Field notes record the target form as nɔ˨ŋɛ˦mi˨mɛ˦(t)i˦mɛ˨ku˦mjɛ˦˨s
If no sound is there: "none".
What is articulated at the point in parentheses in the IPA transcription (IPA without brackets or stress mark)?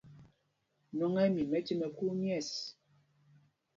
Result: t